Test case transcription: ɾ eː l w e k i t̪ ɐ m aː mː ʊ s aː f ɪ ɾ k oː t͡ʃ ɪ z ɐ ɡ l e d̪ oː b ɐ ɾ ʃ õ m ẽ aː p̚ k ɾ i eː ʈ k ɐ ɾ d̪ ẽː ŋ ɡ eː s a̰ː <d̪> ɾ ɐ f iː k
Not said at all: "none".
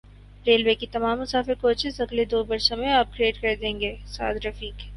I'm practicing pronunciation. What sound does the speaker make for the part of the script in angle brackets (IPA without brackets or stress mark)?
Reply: d̪